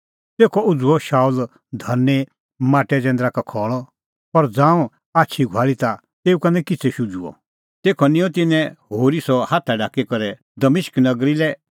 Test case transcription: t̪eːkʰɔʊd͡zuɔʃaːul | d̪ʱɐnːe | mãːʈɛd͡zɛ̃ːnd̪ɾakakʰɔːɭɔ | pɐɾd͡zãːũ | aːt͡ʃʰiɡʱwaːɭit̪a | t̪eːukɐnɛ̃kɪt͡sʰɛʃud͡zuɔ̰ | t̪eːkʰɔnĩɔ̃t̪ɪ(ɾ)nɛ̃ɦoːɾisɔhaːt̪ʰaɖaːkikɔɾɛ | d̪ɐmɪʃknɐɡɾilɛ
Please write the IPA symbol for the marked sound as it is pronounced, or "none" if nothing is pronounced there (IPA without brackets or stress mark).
none